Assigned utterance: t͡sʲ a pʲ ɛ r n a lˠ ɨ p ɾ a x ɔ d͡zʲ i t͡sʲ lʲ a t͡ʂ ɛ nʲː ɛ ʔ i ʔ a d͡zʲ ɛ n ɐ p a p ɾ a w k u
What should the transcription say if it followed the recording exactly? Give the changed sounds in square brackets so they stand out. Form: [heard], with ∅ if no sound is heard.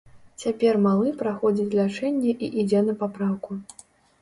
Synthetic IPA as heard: t͡sʲ a pʲ ɛ r [m] a lˠ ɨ p ɾ a x ɔ d͡zʲ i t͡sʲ lʲ a t͡ʂ ɛ nʲː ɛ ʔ i ʔ [i] d͡zʲ ɛ n ɐ p a p ɾ a w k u